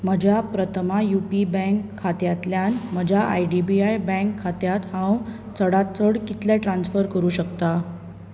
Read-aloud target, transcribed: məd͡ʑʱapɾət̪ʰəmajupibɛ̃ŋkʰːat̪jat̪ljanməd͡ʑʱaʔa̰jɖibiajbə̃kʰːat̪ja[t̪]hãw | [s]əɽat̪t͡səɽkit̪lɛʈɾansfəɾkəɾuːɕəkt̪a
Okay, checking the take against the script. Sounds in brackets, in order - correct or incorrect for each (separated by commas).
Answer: correct, incorrect